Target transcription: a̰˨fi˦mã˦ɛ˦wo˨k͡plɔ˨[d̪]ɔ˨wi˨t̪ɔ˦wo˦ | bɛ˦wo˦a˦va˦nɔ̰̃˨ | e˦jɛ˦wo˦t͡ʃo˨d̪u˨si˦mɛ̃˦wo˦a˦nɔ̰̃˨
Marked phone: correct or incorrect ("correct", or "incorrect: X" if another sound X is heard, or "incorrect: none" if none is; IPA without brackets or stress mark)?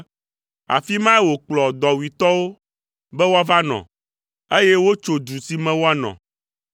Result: correct